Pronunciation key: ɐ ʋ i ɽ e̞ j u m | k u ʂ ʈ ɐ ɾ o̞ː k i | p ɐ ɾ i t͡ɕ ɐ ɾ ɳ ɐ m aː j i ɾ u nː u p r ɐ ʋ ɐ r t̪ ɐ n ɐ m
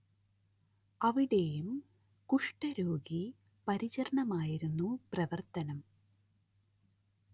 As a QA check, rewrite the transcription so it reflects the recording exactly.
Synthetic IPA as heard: ɐ ʋ i ɽ e̞ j u m | k u ʂ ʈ ɐ ɾ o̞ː ɡ i | p ɐ ɾ i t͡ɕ ɐ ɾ ɳ ɐ m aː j i ɾ u nː u p r ɐ ʋ ɐ r t̪ ɐ n ɐ m